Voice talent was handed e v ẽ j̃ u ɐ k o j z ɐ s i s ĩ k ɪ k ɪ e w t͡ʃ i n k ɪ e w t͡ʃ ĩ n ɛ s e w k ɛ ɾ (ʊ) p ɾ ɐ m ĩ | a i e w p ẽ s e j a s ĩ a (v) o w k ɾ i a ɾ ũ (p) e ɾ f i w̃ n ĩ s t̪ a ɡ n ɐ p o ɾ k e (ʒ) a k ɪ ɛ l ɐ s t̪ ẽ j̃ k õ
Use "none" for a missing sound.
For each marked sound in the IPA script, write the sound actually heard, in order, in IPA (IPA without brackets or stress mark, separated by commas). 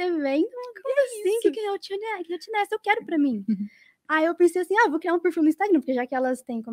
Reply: ʊ, v, p, ʒ